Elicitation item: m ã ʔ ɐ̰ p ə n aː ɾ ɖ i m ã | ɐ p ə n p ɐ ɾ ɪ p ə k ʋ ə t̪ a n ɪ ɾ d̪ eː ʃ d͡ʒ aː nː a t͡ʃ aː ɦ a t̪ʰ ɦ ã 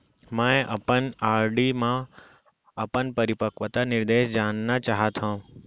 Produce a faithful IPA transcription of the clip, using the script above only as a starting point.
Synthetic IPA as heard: m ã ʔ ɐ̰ p ə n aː ɾ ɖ i m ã | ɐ p ə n p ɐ ɾ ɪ p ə k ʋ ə t̪ a n ɪ ɾ d̪ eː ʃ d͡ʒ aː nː a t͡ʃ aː ɦ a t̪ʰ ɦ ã

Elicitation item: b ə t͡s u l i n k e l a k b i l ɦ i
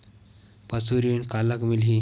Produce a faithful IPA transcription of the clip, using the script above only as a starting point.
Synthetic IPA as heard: p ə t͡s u ɾ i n k a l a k m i l ɦ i

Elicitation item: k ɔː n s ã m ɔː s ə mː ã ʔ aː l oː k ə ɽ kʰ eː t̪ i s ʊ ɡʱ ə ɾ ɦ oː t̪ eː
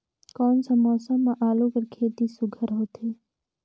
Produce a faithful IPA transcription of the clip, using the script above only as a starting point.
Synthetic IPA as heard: k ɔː n s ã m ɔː s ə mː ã ʔ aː l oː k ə ɾ kʰ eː t̪ i s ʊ ɡʱ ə ɾ ɦ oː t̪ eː

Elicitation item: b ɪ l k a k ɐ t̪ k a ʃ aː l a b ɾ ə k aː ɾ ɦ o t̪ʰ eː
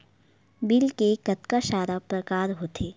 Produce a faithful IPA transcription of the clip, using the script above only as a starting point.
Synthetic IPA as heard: b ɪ l k e k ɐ t̪ k a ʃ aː ɾ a p ɾ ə k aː ɾ ɦ o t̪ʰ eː

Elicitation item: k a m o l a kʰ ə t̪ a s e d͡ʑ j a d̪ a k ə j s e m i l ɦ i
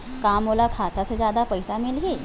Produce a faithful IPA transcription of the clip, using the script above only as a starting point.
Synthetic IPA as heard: k a m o l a kʰ a t̪ a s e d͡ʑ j a d̪ a p ə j s a m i l ɦ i

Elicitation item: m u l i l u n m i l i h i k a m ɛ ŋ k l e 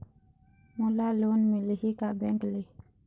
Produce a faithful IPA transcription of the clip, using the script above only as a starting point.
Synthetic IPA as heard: m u l a l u n m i l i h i k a b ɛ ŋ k l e

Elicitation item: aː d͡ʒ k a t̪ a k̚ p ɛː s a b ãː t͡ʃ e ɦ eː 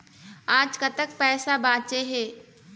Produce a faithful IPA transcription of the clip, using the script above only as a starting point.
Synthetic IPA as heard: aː d͡ʒ k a t̪ ə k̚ p ɛː s a b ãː t͡ʃ e ɦ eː

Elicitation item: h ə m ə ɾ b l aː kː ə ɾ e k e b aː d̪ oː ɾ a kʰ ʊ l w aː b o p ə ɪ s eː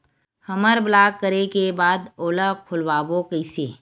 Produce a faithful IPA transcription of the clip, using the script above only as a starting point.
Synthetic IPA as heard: h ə m ə ɾ b l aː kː ə ɾ e k e b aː d̪ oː l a kʰ ʊ l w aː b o k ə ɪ s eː

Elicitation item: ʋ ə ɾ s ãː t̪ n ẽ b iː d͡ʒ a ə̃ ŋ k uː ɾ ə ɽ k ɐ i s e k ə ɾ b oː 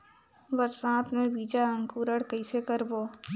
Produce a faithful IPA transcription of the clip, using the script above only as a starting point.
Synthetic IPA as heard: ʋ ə ɾ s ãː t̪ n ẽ b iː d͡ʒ a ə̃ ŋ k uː ɾ ə ɽ k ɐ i s e k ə ɾ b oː

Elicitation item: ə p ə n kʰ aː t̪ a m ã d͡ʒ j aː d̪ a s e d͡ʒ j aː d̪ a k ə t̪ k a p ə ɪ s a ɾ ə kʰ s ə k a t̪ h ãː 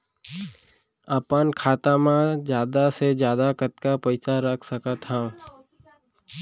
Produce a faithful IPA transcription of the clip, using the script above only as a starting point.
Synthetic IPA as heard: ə p ə n kʰ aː t̪ a m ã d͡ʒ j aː d̪ a s e d͡ʒ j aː d̪ a k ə t̪ k a p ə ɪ s a ɾ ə kʰ s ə k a t̪ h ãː

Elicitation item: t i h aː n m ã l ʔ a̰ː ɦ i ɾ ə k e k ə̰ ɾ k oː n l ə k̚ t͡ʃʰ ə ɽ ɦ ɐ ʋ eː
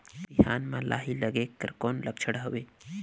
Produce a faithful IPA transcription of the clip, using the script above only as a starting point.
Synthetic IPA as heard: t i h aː n m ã l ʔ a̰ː ɦ i l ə ɡ e k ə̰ ɾ k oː n l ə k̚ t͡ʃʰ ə ɽ ɦ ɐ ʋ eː

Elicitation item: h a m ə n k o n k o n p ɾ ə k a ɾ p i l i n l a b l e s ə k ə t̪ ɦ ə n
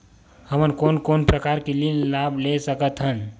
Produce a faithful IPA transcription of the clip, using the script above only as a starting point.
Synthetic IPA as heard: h ə m ə n k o n k o n p ɾ ə k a ɾ k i l i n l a b l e s ə k ə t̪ ɦ ə n

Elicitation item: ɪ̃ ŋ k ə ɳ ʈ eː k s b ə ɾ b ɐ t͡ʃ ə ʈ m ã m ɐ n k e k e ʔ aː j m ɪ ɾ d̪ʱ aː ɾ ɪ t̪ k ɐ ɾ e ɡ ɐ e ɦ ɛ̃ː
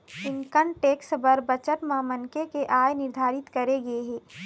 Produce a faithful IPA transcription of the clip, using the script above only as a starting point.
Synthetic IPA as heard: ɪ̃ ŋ k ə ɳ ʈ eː k s b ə ɾ b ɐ t͡ʃ ə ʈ m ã m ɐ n k e k e ʔ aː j n ɪ ɾ d̪ʱ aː ɾ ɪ t̪ k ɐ ɾ e ɡ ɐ e ɦ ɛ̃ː

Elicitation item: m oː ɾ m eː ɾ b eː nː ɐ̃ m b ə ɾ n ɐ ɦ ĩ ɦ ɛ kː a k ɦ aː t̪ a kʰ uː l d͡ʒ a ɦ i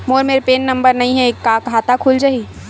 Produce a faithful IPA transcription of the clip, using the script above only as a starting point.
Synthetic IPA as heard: m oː ɾ m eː ɾ p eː nː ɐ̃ m b ə ɾ n ɐ ɦ ĩ ɦ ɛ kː a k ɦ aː t̪ a kʰ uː l d͡ʒ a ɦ i

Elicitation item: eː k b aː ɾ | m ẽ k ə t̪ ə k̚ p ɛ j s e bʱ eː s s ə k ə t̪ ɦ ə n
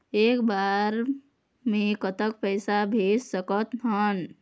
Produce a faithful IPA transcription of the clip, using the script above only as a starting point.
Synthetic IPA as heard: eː k b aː ɾ | m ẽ k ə t̪ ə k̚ p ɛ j s a bʱ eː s s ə k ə t̪ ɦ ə n

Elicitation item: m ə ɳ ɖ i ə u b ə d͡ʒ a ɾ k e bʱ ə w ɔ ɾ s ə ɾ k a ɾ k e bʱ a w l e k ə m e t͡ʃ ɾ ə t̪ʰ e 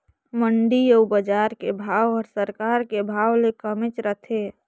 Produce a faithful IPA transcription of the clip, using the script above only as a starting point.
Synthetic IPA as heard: m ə ɳ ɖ i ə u b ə d͡ʒ a ɾ k e bʱ a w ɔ ɾ s ə ɾ k a ɾ k e bʱ a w l e k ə m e t͡ʃ ɾ ə t̪ʰ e

